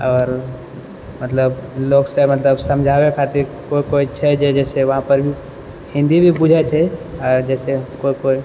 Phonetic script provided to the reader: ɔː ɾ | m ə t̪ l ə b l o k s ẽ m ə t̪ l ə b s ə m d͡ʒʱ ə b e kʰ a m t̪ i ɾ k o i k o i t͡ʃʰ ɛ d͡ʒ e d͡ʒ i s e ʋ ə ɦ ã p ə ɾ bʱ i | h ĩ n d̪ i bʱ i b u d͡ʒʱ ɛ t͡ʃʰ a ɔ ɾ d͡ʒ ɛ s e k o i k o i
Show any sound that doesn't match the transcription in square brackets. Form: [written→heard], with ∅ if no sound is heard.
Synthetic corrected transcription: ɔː ɾ | m ə t̪ l ə b l o k s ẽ m ə t̪ l ə b s ə m d͡ʒʱ [ə→a] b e kʰ a [m→∅] t̪ i ɾ k o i k o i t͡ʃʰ ɛ d͡ʒ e d͡ʒ [i→ɛ] s e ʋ ə ɦ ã p ə ɾ bʱ i | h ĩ n d̪ i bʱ i b u d͡ʒʱ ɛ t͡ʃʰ [a→ɛ] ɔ ɾ d͡ʒ ɛ s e k o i k o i